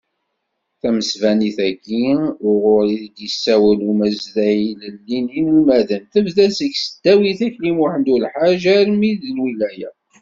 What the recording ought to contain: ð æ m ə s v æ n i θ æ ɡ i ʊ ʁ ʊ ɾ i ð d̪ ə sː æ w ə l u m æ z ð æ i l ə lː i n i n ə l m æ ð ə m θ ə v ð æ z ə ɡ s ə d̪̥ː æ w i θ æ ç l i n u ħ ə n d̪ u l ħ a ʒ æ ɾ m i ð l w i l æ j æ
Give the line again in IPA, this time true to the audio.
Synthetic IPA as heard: θ æ m ə s v æ n i θ æ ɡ i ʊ ʁ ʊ ɾ i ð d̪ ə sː æ w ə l u m æ z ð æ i l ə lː i n i n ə l m æ ð ə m θ ə v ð æ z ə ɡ s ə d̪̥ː æ w i θ æ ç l i m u ħ ə n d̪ u l ħ a ʒ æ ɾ m i ð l w i l æ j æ